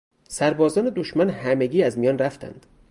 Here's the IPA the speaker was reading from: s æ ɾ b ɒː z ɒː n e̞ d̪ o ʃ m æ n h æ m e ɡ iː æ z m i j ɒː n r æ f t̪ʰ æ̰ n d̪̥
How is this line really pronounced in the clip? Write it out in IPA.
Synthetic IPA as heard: s æ ɾ b ɒː z ɒː n e̞ d̪ o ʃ m æ n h æ m e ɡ iː æ z m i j ɒː n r æ f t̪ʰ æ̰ n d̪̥